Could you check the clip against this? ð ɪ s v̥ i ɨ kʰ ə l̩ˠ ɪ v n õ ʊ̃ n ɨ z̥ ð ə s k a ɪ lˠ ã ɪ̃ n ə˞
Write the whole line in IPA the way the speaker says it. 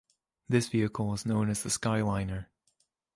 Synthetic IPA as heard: ð ɪ s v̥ i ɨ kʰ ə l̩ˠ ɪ z n õ ʊ̃ n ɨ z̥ ð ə s k a ɪ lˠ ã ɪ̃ n ə˞